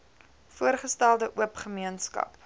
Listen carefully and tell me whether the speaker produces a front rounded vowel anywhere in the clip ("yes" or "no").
no